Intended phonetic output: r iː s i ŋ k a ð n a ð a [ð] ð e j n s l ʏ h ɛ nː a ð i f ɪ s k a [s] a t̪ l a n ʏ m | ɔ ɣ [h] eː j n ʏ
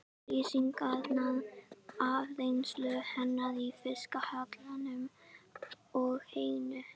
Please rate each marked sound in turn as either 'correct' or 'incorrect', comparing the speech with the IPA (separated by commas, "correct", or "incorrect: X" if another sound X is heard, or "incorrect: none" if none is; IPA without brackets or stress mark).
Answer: incorrect: v, incorrect: h, correct